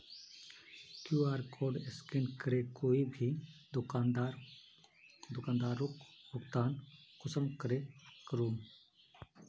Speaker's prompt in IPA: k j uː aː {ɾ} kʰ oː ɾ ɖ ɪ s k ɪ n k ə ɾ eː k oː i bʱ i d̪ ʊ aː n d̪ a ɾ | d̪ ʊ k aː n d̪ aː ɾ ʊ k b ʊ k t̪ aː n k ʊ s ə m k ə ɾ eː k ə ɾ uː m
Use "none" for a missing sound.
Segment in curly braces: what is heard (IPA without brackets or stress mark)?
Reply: ɾ